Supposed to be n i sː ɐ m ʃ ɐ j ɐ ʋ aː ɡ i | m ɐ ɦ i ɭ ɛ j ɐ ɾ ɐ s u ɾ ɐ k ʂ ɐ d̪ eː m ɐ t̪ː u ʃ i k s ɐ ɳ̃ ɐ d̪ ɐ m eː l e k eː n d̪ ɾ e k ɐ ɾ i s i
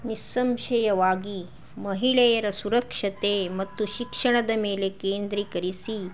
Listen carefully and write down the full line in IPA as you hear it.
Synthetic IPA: n i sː ɐ m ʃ ɐ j ɐ ʋ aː ɡ i | m ɐ ɦ i ɭ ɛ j ɐ ɾ ɐ s u ɾ ɐ k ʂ ɐ t̪ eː m ɐ t̪ː u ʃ i k ʂ ɐ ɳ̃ ɐ d̪ ɐ m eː l e k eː n d̪ ɾ i k ɐ ɾ i s i